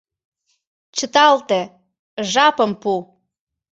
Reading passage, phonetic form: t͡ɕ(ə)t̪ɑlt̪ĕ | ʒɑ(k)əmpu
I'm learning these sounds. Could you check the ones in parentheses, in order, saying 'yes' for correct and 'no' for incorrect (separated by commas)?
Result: yes, no